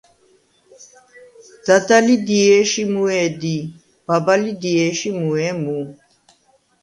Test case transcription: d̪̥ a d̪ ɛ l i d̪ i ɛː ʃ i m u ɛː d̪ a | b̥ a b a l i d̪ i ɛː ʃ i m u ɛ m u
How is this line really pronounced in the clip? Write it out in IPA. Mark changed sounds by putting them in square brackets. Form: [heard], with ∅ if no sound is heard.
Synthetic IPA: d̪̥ a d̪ [a] l i d̪ i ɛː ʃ i m u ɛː d̪ [i] | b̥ a b a l i d̪ i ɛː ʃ i m u ɛ m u